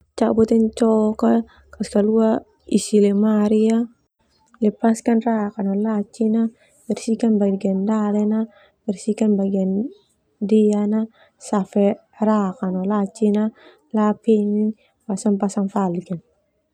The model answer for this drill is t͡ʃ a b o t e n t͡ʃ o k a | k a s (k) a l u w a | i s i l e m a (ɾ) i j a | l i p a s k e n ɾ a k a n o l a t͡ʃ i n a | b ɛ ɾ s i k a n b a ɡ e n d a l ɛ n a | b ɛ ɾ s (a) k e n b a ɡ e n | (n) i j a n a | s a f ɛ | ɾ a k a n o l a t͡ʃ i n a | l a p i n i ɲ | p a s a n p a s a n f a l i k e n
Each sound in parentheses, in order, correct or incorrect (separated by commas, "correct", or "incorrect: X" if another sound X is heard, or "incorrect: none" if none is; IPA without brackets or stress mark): correct, correct, incorrect: i, incorrect: d